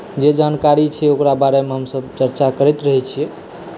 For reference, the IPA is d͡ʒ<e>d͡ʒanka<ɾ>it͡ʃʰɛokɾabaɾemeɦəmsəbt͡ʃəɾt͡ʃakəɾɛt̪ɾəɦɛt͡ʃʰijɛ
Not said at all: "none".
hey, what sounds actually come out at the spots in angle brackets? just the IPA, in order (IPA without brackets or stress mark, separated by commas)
e, ɾ